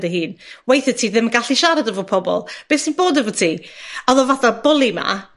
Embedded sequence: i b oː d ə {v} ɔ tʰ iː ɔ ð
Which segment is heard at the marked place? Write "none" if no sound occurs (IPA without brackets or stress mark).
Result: v